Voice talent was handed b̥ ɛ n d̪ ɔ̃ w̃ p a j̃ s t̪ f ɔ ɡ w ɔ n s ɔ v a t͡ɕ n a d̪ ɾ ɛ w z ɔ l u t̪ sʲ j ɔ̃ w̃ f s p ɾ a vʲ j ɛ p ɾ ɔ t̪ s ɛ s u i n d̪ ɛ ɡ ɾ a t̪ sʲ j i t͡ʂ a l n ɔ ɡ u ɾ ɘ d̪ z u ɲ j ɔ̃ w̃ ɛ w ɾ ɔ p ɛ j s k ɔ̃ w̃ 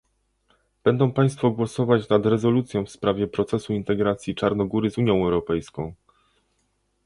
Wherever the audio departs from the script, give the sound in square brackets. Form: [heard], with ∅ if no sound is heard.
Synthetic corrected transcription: b̥ ɛ n d̪ ɔ̃ w̃ p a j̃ s t̪ f ɔ ɡ w ɔ [∅] s ɔ v a t͡ɕ n a d̪ ɾ ɛ [∅] z ɔ l u t̪ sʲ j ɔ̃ w̃ f s p ɾ a vʲ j ɛ p ɾ ɔ t̪ s ɛ s u i n [t̪] ɛ ɡ ɾ a t̪ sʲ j i t͡ʂ a [ɾ] n ɔ ɡ u ɾ ɘ [∅] z u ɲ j ɔ̃ w̃ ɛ w ɾ ɔ p ɛ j s k ɔ̃ w̃